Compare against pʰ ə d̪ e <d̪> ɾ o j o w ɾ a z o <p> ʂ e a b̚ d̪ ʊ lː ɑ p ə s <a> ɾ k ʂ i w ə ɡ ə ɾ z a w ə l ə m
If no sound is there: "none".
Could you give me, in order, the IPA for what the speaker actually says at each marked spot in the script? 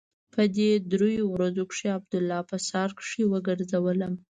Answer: d̪, k, ɑ

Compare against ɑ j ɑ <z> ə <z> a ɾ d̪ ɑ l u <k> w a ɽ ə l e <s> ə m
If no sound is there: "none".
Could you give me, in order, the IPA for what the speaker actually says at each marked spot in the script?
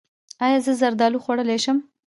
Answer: z, z, x, ʃ

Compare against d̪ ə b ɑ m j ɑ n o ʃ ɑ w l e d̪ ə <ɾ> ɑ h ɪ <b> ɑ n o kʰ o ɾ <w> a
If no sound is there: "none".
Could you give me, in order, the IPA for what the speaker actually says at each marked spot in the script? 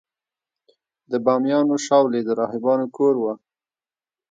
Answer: ɾ, b, w

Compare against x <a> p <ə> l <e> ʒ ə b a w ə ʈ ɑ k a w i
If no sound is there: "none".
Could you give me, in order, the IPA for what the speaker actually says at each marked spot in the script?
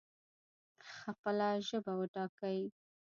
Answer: a, ə, a

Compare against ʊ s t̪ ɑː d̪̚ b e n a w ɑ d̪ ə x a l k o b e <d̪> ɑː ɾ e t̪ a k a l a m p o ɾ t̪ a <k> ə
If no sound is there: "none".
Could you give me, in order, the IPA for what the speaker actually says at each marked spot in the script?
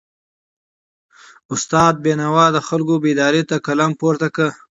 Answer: d̪, k

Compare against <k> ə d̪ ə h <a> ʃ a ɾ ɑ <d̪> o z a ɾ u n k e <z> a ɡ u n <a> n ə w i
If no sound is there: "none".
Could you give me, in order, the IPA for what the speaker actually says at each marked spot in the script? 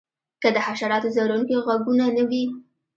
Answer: k, a, t̪, ɣ, a

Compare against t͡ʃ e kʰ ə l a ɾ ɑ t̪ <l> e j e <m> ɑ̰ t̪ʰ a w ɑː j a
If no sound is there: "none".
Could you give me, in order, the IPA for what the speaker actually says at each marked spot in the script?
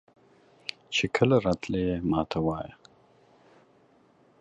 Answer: l, m

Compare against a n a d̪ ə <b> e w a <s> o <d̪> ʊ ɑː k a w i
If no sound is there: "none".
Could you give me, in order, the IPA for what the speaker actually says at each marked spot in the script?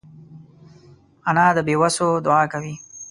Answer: b, s, d̪

